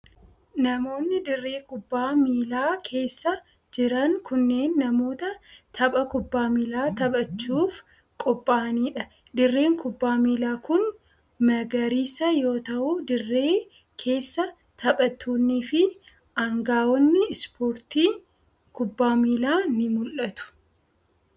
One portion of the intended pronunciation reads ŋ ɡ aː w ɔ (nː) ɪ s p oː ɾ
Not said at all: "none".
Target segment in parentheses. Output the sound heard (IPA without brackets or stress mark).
nː